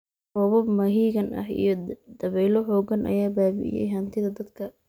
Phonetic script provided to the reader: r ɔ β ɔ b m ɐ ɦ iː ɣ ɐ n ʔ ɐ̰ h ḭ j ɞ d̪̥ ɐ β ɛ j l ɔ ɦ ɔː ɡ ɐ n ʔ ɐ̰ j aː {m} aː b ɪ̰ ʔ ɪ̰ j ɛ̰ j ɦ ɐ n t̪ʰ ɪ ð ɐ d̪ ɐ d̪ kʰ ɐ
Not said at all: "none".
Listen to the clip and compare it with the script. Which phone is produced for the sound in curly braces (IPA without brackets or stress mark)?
b